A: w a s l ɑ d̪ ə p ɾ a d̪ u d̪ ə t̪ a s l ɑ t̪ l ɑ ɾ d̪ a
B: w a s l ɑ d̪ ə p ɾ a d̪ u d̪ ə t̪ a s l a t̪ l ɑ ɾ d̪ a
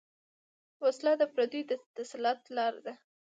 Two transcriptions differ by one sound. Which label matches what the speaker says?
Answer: A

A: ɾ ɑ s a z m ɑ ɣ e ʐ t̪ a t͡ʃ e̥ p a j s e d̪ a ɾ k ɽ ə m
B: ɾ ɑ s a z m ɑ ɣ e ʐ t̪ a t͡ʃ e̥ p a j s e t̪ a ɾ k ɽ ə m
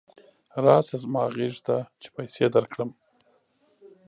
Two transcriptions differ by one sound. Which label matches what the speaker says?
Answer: A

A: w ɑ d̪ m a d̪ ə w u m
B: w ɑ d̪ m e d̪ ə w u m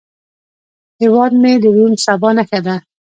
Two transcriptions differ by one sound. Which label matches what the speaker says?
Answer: B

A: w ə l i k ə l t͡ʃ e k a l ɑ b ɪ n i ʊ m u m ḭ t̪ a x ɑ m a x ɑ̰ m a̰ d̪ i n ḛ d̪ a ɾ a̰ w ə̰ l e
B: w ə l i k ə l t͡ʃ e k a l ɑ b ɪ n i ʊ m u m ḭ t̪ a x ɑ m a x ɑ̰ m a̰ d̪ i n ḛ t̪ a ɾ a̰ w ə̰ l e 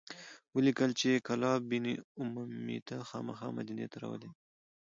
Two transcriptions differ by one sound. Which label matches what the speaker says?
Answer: B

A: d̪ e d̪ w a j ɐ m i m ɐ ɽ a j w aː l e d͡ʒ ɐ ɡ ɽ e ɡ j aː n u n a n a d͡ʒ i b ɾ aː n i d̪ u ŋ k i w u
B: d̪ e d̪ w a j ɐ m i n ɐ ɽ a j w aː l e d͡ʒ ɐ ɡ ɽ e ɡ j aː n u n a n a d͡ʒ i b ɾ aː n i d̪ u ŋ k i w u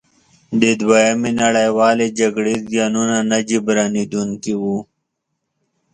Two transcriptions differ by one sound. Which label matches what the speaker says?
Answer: B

